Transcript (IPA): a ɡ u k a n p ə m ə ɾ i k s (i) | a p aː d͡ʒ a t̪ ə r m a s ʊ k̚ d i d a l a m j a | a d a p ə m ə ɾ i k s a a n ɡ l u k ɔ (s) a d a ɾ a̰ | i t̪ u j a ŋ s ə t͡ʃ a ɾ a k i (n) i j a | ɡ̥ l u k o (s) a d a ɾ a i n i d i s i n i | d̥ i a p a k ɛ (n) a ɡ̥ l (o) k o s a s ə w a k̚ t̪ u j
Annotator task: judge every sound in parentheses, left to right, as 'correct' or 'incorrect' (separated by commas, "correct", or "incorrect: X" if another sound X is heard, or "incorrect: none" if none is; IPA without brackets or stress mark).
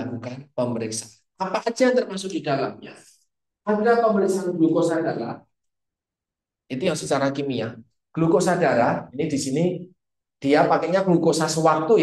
incorrect: a, correct, incorrect: m, correct, incorrect: ɲ, incorrect: u